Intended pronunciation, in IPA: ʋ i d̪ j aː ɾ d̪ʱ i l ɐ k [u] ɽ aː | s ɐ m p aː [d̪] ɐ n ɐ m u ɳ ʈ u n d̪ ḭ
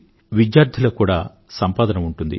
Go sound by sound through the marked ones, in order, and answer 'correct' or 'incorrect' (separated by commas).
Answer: incorrect, correct